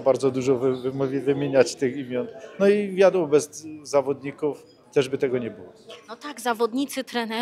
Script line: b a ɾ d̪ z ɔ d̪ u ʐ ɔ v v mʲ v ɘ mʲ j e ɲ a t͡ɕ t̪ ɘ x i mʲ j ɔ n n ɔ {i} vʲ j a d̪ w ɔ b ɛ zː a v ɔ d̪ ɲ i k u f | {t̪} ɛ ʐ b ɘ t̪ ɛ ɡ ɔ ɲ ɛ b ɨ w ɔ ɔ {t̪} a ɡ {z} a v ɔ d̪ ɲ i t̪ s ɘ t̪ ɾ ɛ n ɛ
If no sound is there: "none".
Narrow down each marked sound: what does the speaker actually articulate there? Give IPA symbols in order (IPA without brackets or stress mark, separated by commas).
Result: i, t̪, t̪, z